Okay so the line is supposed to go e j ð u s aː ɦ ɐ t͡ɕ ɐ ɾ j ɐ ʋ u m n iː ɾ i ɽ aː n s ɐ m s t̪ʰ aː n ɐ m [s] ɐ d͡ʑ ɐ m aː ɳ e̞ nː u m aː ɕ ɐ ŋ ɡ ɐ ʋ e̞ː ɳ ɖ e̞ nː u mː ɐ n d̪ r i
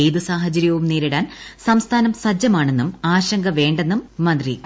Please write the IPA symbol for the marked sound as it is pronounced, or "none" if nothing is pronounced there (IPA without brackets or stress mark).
s